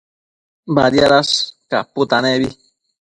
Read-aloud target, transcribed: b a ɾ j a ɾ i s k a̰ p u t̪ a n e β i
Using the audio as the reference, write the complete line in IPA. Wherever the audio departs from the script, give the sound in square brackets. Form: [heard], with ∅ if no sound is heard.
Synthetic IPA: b a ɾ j a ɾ [a] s k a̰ p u t̪ a n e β i